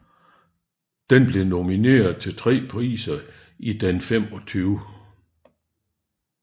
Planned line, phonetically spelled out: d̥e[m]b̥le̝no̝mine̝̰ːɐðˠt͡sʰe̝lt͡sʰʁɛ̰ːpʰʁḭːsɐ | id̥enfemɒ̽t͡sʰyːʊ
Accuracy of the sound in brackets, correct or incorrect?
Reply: incorrect